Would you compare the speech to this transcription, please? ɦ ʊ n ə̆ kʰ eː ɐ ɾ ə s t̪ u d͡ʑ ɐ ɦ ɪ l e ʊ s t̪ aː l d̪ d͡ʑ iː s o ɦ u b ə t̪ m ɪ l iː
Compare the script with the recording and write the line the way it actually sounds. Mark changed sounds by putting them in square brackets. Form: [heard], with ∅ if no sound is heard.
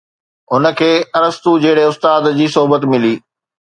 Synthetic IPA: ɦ ʊ n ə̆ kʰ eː ɐ ɾ ə s t̪ u d͡ʑ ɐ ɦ ɪ [ɽ] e ʊ s t̪ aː [∅] d̪ d͡ʑ iː s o ɦ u b ə t̪ m ɪ l iː